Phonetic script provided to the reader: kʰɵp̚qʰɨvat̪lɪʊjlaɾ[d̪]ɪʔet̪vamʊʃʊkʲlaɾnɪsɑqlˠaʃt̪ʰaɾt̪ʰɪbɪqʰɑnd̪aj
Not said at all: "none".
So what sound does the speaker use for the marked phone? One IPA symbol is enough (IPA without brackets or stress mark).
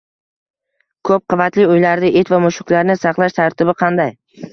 d̪